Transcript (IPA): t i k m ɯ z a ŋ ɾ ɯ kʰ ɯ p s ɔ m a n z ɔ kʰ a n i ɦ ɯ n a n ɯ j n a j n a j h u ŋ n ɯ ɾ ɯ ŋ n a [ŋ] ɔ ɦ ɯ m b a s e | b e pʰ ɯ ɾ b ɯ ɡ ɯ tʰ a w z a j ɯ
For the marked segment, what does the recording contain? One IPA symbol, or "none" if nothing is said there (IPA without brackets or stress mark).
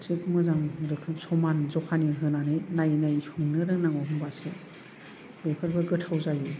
ŋ